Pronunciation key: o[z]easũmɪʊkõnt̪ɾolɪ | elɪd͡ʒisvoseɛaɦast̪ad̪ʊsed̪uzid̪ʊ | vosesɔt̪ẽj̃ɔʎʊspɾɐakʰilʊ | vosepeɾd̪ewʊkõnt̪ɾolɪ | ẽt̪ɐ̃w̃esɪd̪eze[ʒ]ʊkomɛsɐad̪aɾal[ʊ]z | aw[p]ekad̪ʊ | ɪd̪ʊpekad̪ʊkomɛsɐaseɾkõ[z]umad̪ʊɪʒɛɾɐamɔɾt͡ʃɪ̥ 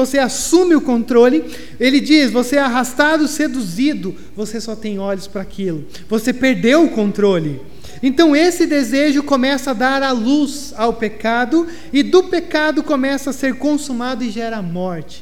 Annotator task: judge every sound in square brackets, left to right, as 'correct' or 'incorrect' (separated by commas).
incorrect, correct, incorrect, correct, incorrect